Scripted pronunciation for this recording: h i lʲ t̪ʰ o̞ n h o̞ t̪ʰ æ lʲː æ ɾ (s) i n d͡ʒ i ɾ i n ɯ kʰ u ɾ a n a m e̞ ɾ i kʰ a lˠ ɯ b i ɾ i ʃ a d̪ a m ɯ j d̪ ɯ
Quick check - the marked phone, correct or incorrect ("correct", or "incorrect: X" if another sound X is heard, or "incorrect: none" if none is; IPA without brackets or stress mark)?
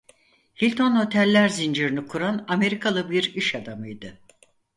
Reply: incorrect: z